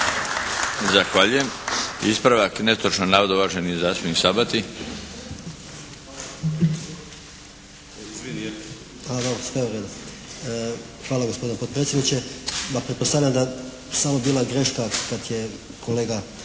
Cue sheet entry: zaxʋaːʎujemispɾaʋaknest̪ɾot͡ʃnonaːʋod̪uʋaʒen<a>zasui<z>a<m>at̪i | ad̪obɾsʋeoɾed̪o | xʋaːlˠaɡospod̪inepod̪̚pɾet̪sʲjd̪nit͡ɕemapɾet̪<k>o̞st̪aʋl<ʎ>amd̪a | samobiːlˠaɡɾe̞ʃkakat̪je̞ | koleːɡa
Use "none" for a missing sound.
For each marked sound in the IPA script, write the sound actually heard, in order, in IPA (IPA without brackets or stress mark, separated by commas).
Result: i, s, b, p, ʎ